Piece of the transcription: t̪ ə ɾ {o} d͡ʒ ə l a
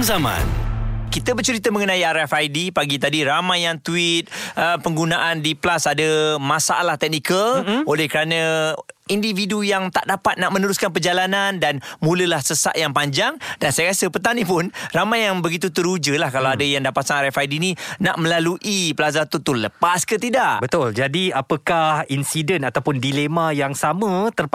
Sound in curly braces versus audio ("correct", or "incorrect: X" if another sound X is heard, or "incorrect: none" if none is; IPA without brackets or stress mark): incorrect: u